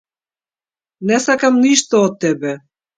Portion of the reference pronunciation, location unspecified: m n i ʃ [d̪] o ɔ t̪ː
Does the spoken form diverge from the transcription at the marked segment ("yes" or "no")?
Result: yes